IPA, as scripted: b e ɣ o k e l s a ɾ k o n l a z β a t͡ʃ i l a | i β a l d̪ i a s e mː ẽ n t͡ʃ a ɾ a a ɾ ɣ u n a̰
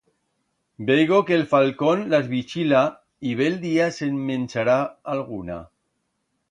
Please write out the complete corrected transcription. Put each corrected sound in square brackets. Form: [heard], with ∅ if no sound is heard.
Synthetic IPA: b e ɣ o k e l [f] a [l] k o n l a z β [i] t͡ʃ i l a | i β [e] l d̪ i a s e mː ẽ n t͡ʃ a ɾ a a [l] ɣ u n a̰

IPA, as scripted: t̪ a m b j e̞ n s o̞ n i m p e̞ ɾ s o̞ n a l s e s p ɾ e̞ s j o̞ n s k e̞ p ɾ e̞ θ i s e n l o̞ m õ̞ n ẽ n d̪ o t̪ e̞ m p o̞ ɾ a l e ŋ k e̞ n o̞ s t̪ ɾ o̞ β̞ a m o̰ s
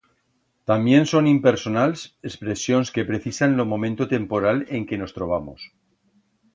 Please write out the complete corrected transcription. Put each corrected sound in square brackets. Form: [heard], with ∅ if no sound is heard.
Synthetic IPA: t̪ a m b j e̞ n s o̞ n i m p e̞ ɾ s o̞ n a l s e s p ɾ e̞ s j o̞ n s k e̞ p ɾ e̞ θ i s [a] n l o̞ m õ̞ [m] ẽ n [t̪] o t̪ e̞ m p o̞ ɾ a l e ŋ k e̞ n o̞ s t̪ ɾ o̞ β̞ a m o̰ s

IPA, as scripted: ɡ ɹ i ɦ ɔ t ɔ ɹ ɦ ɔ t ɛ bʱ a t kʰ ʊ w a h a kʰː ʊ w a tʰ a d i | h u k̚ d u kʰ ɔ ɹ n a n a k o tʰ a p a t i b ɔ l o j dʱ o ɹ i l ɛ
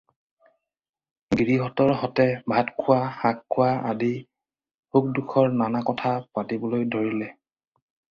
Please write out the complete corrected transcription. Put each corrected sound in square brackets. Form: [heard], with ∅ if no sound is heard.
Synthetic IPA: ɡ ɹ i ɦ ɔ t ɔ ɹ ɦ ɔ t ɛ bʱ a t kʰ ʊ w a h a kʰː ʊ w a [∅] a d i | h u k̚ d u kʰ ɔ ɹ n a n a k [ɔ] tʰ a p a t i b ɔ l o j dʱ o ɹ i l ɛ

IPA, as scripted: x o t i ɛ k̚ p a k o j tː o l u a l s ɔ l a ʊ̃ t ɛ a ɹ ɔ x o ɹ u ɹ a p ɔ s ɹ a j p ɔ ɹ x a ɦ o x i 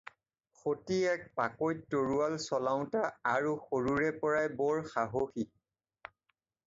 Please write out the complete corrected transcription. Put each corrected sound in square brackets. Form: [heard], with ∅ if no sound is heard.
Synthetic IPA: x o t i ɛ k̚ p a k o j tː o [ɹ] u a l s ɔ l a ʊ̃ t [a] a ɹ [u] x o ɹ u ɹ [ɛ] p ɔ [∅] ɹ a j [b] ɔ ɹ x a ɦ o x i

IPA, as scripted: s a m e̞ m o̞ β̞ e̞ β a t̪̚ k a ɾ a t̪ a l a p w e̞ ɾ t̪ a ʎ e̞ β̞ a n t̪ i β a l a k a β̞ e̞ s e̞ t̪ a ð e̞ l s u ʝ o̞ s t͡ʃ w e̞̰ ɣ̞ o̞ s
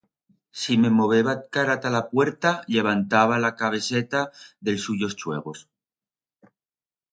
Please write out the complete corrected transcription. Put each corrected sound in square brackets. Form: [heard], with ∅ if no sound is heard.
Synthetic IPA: s [i] m e̞ m o̞ β̞ e̞ β a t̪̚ k a ɾ a t̪ a l a p w e̞ ɾ t̪ a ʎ e̞ β̞ a n t̪ [a] β a l a k a β̞ e̞ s e̞ t̪ a ð e̞ l s u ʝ o̞ s t͡ʃ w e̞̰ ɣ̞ o̞ s

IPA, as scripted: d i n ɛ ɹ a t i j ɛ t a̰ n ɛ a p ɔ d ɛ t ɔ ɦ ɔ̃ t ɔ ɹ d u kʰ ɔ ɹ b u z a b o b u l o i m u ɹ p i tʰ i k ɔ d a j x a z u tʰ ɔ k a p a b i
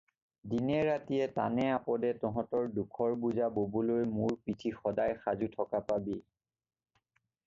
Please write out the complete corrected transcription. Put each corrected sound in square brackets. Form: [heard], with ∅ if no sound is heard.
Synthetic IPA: d i n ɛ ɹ a t i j ɛ t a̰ n ɛ a p ɔ d ɛ t ɔ ɦ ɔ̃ t ɔ ɹ d u kʰ ɔ ɹ b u z a b o b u l o [j] m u ɹ p i tʰ i [x] ɔ d a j x a z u tʰ ɔ k a p a b i

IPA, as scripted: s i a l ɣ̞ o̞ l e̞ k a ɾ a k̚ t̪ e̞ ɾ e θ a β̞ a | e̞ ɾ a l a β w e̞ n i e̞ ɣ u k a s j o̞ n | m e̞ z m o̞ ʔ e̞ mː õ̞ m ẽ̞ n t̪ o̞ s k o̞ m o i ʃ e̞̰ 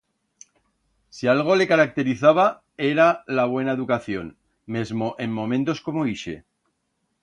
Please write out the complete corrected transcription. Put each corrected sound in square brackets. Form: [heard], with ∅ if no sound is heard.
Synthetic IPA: s i a l ɣ̞ o̞ l e̞ k a ɾ a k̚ t̪ e̞ ɾ [i] θ a β̞ a | e̞ ɾ a l a β w e̞ n [a] e̞ [ð] u k a [θ] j o̞ n | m e̞ z m o̞ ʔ e̞ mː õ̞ m ẽ̞ n t̪ o̞ s k o̞ m o i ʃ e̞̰

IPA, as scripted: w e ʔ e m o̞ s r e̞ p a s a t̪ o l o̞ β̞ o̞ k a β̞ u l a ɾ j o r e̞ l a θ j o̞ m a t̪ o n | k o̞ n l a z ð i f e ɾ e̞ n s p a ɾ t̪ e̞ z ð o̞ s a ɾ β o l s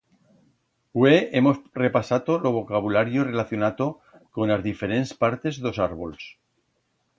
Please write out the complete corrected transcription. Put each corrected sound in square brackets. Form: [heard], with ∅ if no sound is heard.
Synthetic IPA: w e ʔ e m o̞ s r e̞ p a s a t̪ o l o̞ β̞ o̞ k a β̞ u l a ɾ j o r e̞ l a θ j o̞ [n] a t̪ o [∅] | k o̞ n l a z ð i f e ɾ e̞ n s p a ɾ t̪ e̞ z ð o̞ s a ɾ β o l s

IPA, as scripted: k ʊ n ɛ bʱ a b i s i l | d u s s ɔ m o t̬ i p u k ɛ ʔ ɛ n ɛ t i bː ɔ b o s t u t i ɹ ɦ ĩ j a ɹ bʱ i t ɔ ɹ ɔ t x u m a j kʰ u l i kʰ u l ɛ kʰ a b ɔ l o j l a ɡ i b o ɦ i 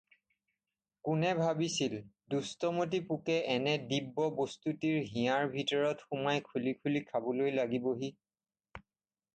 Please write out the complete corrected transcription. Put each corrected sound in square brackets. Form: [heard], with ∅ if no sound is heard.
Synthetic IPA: k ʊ n ɛ bʱ a b i s i l | d u s [t] ɔ m o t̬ i p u k ɛ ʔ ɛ n ɛ [d] i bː ɔ b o s t u t i ɹ ɦ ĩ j a ɹ bʱ i t ɔ ɹ ɔ t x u m a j kʰ u l i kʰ u l [i] kʰ a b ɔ l o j l a ɡ i b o ɦ i

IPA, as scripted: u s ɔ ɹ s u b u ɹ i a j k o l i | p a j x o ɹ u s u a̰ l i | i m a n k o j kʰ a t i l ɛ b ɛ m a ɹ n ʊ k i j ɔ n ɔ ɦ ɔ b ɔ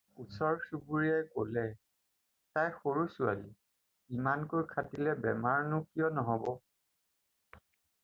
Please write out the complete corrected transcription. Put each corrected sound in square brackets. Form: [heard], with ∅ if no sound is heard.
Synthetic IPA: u s ɔ ɹ s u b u ɹ i a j k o l [ɛ] | [t] a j x o ɹ u s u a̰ l i | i m a n k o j kʰ a t i l ɛ b ɛ m a ɹ n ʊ k i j ɔ n ɔ ɦ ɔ b ɔ

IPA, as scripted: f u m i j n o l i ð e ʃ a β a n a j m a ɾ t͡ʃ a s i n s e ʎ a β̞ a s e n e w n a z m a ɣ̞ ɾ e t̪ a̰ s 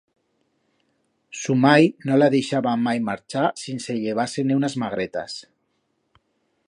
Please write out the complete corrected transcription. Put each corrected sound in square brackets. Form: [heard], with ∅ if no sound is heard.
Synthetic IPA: [s] u m [a] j n o l [a] ð e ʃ a β a [m] a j m a ɾ t͡ʃ a s i n s e ʎ [e] β̞ a s e n e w n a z m a ɣ̞ ɾ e t̪ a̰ s

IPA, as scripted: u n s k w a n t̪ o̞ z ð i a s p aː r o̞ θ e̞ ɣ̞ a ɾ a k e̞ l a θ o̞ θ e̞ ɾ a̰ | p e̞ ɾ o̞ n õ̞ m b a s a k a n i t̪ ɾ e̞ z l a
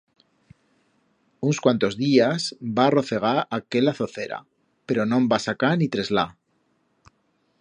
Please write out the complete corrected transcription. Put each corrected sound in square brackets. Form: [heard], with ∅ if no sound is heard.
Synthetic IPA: u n s k w a n t̪ o̞ z ð i a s [b] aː r o̞ θ e̞ ɣ̞ a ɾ a k e̞ l a θ o̞ θ e̞ ɾ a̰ | p e̞ ɾ o̞ n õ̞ m b a s a k a n i t̪ ɾ e̞ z l a

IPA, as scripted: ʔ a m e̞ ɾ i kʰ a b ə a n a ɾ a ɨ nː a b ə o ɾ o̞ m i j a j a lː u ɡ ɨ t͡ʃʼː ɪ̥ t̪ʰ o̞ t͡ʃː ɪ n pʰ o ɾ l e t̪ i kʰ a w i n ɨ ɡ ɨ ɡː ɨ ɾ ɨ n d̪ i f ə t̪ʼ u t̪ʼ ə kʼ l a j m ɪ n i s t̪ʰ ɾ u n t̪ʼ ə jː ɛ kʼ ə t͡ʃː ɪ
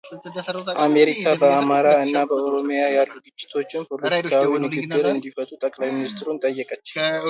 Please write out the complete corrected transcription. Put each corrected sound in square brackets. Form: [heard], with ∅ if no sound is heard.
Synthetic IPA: ʔ a m e̞ ɾ i kʰ a b ə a [m] a ɾ a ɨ nː a b ə o ɾ o̞ m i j a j a lː u ɡ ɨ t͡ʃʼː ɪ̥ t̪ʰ o̞ t͡ʃː ɪ n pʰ o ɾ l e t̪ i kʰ a w i n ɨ ɡ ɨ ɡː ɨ ɾ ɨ n d̪ i f ə t̪ʼ u t̪ʼ ə kʼ l a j m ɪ n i s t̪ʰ ɾ u n t̪ʼ ə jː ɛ kʼ ə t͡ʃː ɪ

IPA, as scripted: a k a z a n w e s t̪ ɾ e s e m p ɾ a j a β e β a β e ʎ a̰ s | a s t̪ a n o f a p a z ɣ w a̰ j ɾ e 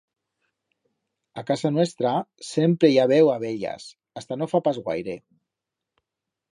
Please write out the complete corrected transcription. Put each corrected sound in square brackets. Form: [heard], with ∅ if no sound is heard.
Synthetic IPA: a k a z a n w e s t̪ ɾ [a] s e m p ɾ [e] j a β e [w] a β e ʎ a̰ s | a s t̪ a n o f a p a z ɣ w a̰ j ɾ e

